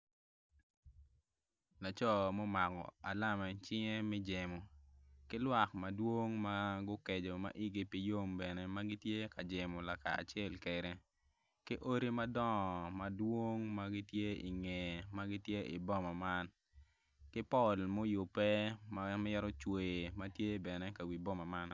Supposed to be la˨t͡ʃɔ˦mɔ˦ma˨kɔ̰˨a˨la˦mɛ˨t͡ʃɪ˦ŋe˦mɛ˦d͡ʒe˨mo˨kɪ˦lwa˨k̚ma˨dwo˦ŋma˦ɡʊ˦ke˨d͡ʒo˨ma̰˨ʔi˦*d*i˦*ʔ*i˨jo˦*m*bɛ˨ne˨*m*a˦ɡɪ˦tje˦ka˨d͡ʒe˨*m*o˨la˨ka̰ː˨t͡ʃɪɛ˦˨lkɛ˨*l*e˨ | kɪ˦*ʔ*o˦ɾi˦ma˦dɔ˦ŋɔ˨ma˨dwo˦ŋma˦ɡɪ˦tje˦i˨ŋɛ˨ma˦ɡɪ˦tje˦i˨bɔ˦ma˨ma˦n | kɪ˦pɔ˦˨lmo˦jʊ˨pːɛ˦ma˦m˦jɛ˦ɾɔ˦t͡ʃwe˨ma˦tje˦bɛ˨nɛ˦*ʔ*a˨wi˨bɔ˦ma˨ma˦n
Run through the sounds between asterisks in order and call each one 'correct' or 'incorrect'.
incorrect: ɡ, incorrect: p, correct, correct, correct, incorrect: ɾ, correct, incorrect: k

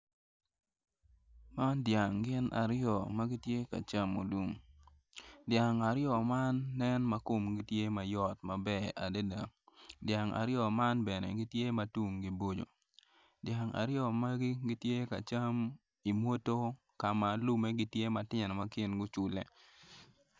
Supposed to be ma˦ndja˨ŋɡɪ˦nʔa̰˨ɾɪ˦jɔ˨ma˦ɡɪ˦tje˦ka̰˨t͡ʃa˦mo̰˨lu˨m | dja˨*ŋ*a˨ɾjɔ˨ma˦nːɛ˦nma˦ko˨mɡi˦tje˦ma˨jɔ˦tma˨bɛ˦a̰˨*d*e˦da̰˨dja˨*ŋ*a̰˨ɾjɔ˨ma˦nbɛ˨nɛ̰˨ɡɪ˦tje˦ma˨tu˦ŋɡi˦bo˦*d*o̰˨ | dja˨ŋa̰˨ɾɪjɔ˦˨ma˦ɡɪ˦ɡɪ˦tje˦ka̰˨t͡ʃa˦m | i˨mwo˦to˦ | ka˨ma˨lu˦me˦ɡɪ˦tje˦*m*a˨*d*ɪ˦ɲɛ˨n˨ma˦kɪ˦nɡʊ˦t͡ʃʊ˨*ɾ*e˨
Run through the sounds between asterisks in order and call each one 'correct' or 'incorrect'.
correct, correct, correct, incorrect: d͡ʒ, correct, incorrect: t, incorrect: l

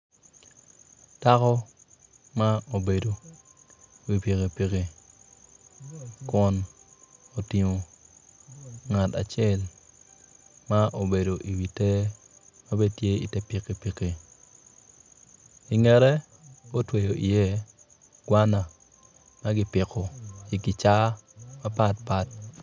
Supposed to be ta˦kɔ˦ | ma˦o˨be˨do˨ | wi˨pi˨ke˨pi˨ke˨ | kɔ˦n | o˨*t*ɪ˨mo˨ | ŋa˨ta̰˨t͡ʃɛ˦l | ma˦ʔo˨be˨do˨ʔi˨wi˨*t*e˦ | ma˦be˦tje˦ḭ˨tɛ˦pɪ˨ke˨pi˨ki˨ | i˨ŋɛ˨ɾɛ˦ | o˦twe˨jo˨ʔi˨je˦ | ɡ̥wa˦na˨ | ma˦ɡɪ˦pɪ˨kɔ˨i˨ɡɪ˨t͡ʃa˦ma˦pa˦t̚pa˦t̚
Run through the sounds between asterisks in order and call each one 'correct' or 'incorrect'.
correct, correct

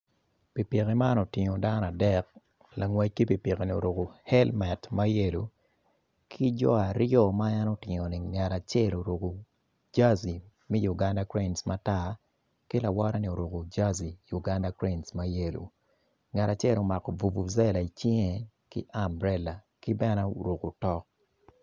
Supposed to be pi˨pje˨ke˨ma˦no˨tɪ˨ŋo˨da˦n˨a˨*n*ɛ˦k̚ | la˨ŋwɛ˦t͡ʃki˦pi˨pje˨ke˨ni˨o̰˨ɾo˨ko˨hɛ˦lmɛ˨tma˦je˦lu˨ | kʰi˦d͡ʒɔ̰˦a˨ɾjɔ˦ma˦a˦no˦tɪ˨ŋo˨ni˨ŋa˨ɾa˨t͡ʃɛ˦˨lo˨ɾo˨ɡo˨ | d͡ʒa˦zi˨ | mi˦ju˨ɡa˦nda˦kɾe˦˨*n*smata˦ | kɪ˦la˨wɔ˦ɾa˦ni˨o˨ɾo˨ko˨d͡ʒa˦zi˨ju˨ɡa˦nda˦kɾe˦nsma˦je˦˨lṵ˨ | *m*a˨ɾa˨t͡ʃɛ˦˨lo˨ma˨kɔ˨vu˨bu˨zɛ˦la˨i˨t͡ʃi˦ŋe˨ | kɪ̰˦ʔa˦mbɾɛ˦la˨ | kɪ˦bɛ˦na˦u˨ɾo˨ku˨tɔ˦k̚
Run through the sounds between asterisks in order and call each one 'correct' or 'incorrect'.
incorrect: d, correct, incorrect: ŋ

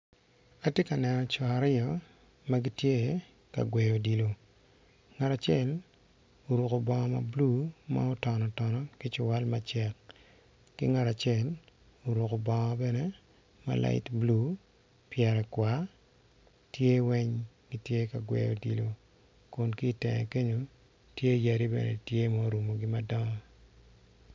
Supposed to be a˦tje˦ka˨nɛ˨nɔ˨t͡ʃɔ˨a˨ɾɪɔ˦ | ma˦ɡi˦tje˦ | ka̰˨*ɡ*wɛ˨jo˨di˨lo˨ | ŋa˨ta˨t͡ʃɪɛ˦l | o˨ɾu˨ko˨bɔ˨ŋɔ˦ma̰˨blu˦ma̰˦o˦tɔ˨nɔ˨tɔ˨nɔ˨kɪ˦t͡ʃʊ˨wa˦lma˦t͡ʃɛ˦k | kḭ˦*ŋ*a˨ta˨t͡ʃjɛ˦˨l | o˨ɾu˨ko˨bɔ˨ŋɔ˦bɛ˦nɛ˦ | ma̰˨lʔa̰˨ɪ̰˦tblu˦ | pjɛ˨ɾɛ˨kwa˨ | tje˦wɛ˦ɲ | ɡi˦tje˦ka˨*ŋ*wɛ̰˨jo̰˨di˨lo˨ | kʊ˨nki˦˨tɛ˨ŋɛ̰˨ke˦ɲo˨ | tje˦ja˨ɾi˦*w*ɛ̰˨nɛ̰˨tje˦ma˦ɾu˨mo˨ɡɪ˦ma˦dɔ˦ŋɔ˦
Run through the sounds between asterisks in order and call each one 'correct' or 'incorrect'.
correct, correct, incorrect: ɡ, incorrect: b

